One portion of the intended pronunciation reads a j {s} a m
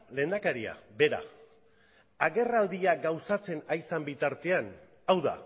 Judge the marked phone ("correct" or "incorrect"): correct